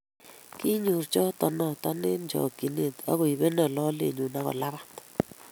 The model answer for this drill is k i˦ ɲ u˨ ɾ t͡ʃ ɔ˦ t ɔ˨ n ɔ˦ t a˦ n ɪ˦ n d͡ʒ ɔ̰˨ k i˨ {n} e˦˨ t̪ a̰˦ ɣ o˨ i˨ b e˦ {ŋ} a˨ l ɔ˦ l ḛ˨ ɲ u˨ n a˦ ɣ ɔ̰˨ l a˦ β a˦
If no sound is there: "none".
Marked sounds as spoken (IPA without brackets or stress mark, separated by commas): n, n